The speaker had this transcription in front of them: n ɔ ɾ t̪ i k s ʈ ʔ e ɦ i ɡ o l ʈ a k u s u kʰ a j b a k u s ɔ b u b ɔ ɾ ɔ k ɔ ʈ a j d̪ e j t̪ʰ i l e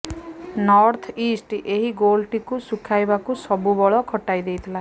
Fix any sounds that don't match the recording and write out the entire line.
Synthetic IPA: n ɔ ɾ t̪ʰ i s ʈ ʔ e ɦ i ɡ o l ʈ i k u s u kʰ a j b a k u s ɔ b u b ɔ ɭ ɔ kʰ ɔ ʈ a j d̪ e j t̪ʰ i l a